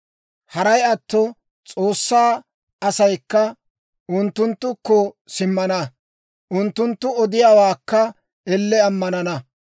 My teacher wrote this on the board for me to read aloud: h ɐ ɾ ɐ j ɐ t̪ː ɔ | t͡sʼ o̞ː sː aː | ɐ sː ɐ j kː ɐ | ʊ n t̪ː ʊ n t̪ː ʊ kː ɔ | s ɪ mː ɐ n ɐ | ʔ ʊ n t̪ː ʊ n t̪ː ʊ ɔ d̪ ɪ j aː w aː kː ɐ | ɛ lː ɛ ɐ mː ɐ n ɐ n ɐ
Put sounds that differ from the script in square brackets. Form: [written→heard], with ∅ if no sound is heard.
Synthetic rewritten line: h ɐ ɾ ɐ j ɐ t̪ː ɔ | t͡sʼ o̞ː sː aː | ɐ [sː→s] ɐ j kː ɐ | ʊ n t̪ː ʊ n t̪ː ʊ kː ɔ | s ɪ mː ɐ n ɐ | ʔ ʊ n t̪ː ʊ n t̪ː ʊ ɔ d̪ ɪ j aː w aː kː ɐ | ɛ lː ɛ ɐ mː ɐ n ɐ n ɐ

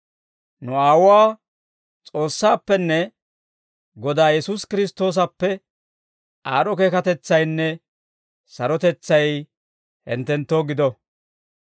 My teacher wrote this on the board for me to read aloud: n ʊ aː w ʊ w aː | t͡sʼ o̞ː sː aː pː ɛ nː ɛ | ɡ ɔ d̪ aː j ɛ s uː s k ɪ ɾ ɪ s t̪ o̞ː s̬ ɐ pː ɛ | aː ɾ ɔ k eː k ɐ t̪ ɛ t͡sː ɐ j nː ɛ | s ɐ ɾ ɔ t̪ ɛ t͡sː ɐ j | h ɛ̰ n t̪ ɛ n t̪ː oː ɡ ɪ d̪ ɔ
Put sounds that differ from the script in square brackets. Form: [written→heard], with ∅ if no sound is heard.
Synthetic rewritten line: n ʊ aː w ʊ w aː | t͡sʼ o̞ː sː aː pː ɛ nː ɛ | ɡ ɔ d̪ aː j ɛ s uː s k ɪ ɾ ɪ s t̪ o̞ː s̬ ɐ pː ɛ | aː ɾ ɔ k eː k ɐ t̪ ɛ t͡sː ɐ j nː ɛ | s ɐ ɾ ɔ t̪ ɛ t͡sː ɐ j | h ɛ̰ n t̪ ɛ n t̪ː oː ɡ ɪ d̪ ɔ

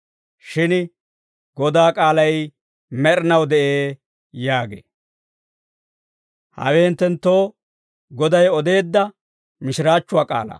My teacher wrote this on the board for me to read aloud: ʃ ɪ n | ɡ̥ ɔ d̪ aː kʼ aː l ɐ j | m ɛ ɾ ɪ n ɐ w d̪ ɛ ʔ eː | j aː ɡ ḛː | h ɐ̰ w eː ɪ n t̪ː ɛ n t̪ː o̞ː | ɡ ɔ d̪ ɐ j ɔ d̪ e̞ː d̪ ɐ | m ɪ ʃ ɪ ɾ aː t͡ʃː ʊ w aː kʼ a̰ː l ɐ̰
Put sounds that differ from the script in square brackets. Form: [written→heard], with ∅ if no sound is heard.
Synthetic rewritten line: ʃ ɪ n | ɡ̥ ɔ d̪ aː kʼ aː l ɐ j | m ɛ ɾ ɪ n ɐ w d̪ ɛ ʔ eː | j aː ɡ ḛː | h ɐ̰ w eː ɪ n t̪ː ɛ n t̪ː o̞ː | ɡ ɔ d̪ ɐ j ɔ d̪ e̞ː [d̪→d̪ː] ɐ | m ɪ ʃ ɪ ɾ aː t͡ʃː ʊ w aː kʼ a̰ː l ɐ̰

